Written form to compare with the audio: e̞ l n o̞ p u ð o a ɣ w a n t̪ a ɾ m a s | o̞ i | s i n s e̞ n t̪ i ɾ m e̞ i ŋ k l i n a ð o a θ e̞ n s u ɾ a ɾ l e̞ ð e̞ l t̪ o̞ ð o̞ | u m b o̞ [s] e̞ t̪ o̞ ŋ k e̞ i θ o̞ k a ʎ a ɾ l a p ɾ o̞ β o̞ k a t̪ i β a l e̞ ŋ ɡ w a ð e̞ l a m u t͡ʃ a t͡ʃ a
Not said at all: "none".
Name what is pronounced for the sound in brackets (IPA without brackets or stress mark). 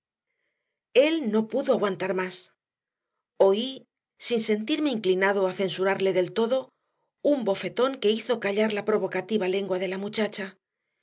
f